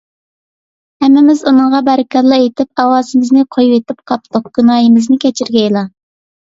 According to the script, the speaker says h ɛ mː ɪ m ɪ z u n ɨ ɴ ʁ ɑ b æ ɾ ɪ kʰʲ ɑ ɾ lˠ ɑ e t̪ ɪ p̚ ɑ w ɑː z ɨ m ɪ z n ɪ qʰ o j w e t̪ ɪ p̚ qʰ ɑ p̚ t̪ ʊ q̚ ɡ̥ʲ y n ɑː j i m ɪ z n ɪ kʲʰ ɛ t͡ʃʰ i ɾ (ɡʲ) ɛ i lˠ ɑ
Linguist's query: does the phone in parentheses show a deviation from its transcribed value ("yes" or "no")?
no